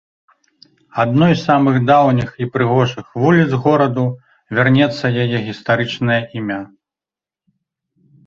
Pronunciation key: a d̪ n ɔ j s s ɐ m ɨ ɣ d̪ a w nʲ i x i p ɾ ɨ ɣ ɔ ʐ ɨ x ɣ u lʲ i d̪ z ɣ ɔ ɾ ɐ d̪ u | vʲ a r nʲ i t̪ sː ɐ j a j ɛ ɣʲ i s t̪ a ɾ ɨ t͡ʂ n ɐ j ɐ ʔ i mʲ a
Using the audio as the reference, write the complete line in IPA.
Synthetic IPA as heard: a d̪ n ɔ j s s a m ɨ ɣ d̪ a w nʲ i x i p ɾ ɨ ɣ ɔ ʐ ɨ x v u lʲ i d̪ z ɣ ɔ ɾ ɐ d̪ u | vʲ a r nʲ ɛ t̪ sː ɐ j a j ɛ ɣʲ i s t̪ a ɾ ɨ t͡ʂ n ɐ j ɐ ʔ i mʲ a